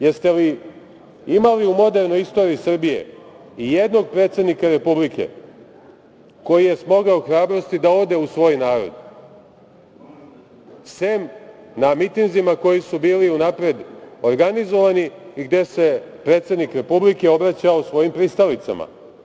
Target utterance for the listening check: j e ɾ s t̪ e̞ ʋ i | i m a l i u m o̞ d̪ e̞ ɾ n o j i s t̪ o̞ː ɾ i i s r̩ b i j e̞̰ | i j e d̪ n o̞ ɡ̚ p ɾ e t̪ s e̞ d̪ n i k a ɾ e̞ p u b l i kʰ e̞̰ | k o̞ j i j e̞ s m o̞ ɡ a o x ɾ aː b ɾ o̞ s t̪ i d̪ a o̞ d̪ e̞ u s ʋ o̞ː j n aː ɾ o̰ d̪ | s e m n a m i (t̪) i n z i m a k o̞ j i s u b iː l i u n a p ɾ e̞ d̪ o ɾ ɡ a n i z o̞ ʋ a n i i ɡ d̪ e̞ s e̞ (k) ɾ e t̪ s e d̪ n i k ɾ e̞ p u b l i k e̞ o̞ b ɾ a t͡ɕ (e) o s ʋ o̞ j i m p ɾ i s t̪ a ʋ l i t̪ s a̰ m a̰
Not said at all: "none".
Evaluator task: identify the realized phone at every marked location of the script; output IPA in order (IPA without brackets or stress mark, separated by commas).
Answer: t̪, p, a